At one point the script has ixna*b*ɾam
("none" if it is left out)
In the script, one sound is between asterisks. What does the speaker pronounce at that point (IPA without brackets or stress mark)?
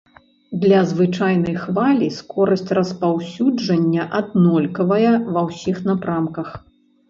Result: p